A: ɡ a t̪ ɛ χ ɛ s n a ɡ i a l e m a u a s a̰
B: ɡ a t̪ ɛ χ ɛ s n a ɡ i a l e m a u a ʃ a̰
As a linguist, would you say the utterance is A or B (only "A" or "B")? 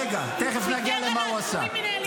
A